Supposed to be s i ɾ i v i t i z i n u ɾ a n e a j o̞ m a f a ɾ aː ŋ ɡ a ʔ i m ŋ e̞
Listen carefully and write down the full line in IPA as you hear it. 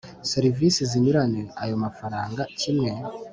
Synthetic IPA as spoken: s e ɾ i v i s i z i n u ɾ a n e a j o̞ m a f a ɾ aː ŋ ɡ a c i m ŋ e̞